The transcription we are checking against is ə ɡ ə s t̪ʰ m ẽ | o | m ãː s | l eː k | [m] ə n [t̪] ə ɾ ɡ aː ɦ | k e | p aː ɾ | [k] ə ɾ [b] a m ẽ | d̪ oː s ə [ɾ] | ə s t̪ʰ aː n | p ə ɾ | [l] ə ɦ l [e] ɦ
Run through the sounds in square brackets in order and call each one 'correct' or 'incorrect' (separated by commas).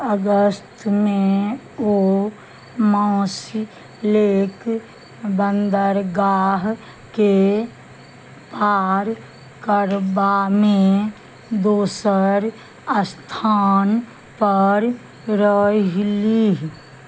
incorrect, incorrect, correct, correct, correct, incorrect, incorrect